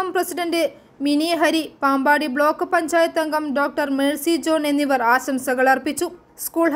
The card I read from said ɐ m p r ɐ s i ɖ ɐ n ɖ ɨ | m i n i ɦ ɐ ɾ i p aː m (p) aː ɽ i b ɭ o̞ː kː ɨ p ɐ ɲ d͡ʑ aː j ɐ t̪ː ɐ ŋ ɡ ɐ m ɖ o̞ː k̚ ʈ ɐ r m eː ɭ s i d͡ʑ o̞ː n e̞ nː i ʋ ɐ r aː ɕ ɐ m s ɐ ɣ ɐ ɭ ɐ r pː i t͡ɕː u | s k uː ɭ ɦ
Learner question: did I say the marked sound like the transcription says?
no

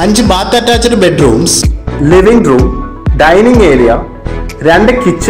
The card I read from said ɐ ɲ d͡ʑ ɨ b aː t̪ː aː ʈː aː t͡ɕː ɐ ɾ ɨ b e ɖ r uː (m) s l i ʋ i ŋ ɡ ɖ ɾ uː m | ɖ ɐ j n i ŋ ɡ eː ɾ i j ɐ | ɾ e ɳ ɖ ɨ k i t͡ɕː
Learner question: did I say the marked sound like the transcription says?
yes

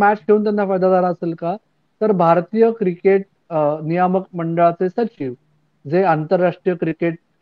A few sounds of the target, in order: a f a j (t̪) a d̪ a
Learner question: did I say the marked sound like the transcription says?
no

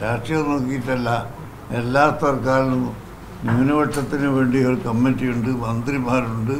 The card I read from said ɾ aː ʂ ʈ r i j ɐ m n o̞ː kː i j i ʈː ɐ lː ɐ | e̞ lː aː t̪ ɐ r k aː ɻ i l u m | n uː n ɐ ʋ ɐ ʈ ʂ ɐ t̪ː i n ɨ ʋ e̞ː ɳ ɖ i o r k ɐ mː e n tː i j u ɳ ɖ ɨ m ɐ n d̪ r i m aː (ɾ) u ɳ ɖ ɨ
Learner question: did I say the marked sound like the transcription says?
yes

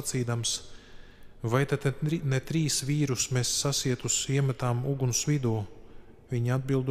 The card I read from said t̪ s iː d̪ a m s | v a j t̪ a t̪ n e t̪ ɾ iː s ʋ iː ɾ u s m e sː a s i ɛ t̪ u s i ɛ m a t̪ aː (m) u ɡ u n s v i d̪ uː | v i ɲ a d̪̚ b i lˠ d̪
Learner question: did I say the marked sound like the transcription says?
yes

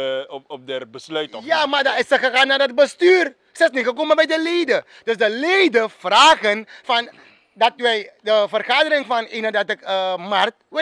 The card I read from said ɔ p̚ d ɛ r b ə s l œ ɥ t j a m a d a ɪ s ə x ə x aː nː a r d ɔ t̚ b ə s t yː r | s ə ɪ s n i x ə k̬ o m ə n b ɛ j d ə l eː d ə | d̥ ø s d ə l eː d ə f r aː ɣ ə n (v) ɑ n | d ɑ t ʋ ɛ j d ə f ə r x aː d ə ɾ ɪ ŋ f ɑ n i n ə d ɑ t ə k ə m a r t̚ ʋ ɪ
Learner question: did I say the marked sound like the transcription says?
no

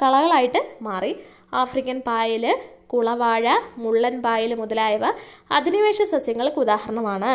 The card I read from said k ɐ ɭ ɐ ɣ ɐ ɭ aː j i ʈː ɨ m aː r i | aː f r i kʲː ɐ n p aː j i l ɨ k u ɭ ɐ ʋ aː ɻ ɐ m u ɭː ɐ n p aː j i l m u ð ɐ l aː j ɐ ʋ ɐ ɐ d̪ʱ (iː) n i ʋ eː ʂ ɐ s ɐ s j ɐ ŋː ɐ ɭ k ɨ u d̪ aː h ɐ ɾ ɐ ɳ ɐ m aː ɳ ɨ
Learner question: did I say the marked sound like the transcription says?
no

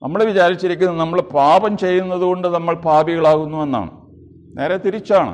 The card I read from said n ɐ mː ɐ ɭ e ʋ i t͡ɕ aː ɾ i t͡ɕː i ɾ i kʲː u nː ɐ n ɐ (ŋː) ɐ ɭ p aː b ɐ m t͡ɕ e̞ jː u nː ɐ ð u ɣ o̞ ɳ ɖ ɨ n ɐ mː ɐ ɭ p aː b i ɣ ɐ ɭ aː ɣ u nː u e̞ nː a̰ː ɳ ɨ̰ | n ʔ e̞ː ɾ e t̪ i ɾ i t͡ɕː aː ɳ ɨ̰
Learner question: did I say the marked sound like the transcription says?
no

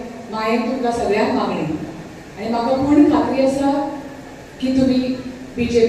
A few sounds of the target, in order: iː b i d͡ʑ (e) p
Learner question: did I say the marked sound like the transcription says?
yes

